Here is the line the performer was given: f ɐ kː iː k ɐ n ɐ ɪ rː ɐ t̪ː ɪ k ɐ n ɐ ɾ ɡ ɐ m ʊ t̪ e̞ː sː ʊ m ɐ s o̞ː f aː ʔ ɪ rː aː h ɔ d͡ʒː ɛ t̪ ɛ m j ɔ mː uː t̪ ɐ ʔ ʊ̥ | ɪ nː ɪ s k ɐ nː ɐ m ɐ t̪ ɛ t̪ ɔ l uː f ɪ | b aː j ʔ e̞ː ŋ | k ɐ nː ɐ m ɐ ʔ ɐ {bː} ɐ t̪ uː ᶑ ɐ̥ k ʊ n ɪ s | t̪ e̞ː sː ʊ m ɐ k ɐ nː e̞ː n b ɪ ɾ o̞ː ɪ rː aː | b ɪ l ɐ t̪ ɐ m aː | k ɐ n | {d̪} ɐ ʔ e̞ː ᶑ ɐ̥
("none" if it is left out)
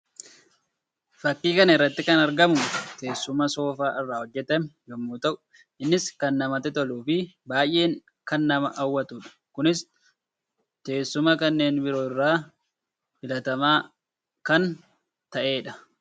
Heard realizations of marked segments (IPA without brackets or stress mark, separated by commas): wː, t̪